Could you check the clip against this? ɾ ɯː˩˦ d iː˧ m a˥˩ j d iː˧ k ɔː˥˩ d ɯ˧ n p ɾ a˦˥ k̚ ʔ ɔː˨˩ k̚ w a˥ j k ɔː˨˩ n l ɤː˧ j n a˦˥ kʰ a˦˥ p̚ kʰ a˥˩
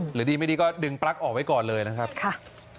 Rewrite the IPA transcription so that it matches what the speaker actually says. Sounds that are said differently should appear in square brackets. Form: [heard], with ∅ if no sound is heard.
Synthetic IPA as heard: ɾ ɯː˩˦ d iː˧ m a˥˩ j d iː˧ k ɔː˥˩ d ɯ˧ [ŋ] p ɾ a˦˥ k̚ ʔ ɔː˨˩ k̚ w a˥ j k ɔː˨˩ n l ɤː˧ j n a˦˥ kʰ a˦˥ p̚ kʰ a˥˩